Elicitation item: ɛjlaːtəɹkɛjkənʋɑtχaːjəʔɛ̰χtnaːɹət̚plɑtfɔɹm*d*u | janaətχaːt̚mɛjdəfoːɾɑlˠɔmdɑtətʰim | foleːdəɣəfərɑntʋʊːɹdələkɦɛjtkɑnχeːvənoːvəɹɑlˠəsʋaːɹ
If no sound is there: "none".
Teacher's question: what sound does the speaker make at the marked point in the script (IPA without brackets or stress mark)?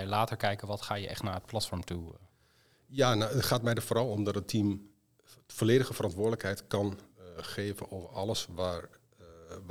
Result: t